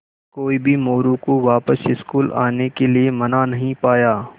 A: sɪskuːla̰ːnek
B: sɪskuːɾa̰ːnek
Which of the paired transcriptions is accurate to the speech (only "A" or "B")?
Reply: A